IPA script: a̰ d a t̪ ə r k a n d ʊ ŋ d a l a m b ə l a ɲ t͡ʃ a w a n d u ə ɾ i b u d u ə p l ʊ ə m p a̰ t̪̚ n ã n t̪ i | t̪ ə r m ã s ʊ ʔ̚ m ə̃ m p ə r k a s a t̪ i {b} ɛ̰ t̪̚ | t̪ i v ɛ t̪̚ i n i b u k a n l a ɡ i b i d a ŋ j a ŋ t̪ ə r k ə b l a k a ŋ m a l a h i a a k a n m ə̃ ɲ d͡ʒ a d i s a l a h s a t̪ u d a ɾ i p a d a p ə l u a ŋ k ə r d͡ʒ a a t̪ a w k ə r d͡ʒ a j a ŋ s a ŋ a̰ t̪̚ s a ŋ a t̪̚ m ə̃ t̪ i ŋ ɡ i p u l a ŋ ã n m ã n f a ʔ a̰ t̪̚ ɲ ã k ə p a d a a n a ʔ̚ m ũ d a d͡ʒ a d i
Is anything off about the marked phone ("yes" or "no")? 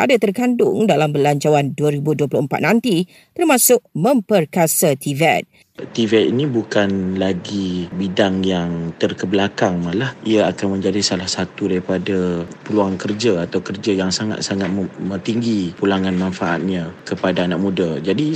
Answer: yes